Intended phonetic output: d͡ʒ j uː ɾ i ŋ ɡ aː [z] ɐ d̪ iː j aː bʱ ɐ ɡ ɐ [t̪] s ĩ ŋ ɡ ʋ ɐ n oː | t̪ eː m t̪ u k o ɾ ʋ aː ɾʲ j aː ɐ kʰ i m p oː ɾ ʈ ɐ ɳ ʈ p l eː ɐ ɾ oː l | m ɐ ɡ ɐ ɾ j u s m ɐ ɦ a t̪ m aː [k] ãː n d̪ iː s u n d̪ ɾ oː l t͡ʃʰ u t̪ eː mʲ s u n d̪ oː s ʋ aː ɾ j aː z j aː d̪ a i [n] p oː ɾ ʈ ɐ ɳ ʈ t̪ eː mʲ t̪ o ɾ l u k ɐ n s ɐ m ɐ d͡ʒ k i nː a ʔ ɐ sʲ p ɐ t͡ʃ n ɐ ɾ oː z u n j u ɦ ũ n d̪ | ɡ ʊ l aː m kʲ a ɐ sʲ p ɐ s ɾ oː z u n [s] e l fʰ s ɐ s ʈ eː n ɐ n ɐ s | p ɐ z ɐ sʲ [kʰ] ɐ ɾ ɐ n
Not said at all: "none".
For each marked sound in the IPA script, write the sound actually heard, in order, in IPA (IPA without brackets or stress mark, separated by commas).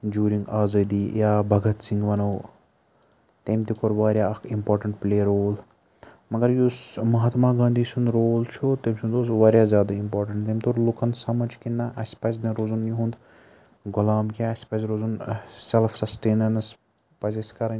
z, t̪, ɡ, m, s, k